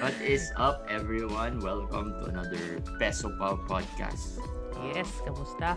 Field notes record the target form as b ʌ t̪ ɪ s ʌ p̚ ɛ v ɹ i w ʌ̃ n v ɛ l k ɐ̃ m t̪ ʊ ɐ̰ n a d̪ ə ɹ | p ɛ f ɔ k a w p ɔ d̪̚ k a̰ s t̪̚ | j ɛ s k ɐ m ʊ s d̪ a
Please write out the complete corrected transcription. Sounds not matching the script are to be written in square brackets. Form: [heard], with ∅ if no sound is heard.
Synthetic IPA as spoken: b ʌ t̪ ɪ s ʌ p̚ ɛ v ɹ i w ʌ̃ n [w] ɛ l k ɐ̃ m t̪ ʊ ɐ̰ n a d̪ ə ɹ | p ɛ [s] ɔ [p] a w p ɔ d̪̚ k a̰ s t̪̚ | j ɛ s k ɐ m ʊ s [t̪] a